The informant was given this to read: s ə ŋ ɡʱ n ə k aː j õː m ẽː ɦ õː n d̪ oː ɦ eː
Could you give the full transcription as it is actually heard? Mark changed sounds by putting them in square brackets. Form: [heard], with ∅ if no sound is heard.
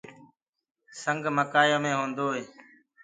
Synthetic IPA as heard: s ə ŋ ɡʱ [m] ə k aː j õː m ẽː ɦ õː n d̪ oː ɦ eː